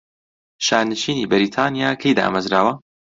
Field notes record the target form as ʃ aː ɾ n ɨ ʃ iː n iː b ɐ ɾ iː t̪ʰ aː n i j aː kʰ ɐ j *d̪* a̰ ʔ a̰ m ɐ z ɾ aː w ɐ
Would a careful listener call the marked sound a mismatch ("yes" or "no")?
no